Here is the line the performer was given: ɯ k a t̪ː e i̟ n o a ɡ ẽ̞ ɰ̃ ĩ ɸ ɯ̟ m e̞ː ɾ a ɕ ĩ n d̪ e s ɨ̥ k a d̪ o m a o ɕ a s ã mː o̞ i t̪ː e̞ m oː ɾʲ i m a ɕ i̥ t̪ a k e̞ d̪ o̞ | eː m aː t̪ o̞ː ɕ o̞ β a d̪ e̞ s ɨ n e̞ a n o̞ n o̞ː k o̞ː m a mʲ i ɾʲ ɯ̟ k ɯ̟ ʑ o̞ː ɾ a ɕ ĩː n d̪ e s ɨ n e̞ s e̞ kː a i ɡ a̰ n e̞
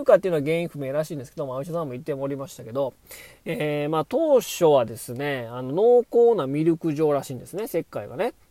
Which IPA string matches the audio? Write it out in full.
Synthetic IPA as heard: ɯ k a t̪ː e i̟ n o a ɡ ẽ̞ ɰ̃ ĩ ɸ ɯ̟ m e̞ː ɾ a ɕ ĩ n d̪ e s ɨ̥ k e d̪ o m a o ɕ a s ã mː o̞ i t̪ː e̞ m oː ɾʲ i m a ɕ i̥ t̪ a k e̞ d̪ o̞ | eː m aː t̪ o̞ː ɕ o̞ β a d̪ e̞ s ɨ n e̞ a n o̞ n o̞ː k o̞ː n a mʲ i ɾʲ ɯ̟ k ɯ̟ ʑ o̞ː ɾ a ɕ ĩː n d̪ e s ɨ n e̞ s e̞ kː a i ɡ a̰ n e̞